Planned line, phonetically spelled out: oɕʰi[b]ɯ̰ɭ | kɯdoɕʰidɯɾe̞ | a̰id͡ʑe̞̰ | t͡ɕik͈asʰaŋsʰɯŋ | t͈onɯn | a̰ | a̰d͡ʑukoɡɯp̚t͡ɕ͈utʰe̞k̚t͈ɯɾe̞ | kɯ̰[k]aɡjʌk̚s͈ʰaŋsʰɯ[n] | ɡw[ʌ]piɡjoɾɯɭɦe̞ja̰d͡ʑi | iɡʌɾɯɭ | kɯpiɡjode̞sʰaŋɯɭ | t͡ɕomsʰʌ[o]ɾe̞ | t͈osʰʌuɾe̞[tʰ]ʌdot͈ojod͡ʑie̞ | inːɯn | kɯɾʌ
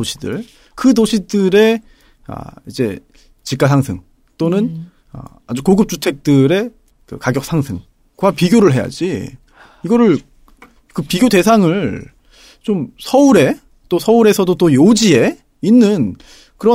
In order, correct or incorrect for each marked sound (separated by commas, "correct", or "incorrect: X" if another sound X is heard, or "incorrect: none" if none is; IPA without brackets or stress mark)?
incorrect: d, correct, incorrect: ŋ, incorrect: a, incorrect: u, incorrect: sʰ